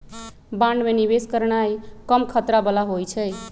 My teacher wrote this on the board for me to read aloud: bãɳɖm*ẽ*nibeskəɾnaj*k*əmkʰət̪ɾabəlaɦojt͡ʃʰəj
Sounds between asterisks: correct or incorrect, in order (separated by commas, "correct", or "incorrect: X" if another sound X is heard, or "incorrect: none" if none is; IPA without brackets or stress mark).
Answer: incorrect: e, correct